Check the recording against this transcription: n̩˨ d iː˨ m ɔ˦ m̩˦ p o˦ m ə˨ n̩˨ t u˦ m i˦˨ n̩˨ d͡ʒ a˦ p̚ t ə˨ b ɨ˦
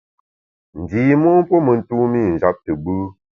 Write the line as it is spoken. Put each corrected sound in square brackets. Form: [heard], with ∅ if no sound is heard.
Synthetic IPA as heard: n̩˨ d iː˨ m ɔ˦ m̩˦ p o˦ m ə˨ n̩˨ t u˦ m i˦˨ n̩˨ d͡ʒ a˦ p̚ t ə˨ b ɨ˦